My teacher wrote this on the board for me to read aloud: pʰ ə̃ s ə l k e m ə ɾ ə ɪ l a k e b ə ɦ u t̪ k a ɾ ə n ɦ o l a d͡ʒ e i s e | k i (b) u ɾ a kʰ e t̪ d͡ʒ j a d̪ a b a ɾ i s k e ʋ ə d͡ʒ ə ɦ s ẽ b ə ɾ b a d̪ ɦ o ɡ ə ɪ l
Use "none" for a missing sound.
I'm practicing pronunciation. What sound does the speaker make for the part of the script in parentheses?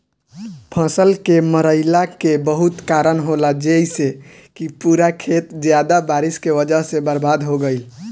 p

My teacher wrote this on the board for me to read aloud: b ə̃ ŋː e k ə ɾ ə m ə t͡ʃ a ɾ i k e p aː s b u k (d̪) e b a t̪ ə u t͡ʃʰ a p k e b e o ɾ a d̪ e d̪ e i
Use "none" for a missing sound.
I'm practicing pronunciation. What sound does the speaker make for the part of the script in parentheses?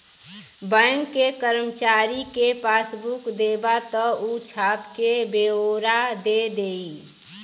d̪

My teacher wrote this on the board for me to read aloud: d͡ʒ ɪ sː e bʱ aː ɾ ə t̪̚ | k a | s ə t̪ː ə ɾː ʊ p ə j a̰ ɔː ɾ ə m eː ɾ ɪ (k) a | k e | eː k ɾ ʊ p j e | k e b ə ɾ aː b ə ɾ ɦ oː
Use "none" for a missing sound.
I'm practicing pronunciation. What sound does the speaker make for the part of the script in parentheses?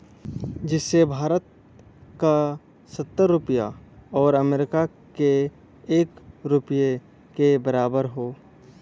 k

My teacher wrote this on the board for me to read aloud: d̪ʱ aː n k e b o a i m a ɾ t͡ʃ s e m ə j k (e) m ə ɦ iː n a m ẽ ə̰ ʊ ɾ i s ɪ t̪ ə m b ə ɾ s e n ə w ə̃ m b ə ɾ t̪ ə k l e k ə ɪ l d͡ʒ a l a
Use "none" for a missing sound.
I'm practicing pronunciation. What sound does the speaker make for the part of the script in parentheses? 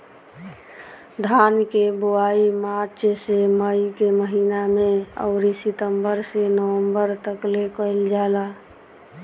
e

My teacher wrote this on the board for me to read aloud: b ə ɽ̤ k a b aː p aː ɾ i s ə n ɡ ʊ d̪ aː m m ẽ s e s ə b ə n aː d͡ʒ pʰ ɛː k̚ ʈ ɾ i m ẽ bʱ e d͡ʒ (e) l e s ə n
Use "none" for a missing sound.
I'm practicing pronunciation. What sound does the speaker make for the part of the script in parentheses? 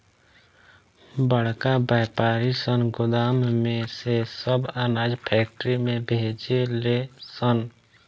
e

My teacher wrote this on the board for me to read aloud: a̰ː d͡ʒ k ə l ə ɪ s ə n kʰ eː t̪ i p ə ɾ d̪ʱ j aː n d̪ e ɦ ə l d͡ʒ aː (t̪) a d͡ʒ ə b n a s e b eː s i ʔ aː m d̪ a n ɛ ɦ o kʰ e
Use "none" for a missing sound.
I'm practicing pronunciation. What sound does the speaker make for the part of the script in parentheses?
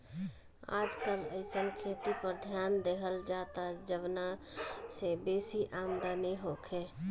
t̪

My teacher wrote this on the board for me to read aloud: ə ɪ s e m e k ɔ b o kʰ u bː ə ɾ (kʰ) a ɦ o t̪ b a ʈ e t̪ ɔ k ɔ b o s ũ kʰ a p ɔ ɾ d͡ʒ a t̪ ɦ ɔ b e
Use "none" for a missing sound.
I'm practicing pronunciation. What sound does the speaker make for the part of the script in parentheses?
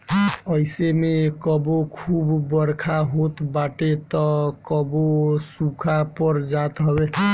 kʰ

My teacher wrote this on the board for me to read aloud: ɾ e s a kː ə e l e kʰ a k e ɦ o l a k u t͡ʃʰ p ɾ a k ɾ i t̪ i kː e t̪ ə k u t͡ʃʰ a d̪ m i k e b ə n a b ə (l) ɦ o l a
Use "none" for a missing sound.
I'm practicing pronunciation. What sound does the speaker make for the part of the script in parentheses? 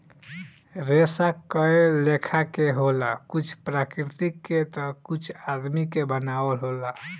l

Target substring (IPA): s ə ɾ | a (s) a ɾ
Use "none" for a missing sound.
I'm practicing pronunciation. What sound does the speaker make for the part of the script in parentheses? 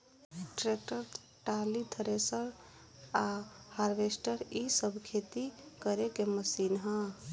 h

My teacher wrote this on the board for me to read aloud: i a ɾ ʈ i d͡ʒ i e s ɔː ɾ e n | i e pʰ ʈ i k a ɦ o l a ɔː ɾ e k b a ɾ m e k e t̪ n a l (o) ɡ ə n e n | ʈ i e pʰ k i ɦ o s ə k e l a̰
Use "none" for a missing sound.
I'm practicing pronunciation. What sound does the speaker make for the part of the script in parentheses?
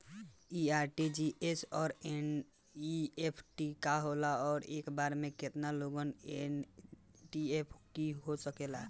o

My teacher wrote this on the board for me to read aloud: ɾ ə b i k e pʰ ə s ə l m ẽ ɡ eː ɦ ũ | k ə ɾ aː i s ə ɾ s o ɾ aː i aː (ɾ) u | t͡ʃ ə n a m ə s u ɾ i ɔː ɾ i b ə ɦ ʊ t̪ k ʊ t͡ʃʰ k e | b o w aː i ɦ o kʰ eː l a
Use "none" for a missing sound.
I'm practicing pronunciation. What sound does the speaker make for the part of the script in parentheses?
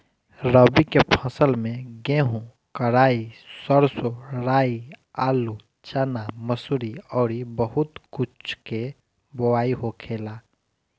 l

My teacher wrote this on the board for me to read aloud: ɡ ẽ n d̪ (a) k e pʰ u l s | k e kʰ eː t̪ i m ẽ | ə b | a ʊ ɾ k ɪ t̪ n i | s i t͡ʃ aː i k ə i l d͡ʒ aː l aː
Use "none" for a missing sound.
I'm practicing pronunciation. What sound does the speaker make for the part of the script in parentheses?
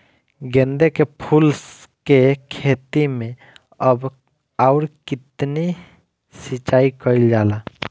e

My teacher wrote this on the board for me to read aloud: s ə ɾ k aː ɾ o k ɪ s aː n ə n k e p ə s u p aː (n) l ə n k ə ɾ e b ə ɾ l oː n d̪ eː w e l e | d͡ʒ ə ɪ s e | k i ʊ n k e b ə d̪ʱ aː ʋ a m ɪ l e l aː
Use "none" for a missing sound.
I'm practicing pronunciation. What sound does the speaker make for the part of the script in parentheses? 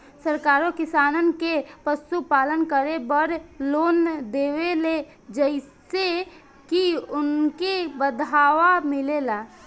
none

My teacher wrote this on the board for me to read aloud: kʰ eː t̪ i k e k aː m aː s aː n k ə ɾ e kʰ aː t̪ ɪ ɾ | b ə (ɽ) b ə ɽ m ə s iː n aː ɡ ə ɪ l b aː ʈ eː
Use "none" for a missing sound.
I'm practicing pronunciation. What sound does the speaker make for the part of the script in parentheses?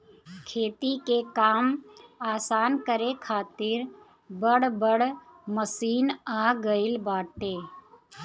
ɽ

